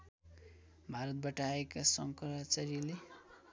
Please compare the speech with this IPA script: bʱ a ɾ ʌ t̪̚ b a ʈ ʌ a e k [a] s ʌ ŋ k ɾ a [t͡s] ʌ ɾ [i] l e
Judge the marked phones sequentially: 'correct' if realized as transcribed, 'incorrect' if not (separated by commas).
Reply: correct, correct, correct